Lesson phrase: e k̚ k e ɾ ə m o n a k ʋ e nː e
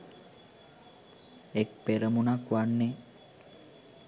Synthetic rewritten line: e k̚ p e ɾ ə m u n a k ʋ a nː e